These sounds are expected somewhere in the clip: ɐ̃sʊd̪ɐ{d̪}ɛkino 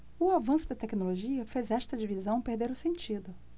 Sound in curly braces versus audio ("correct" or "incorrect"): incorrect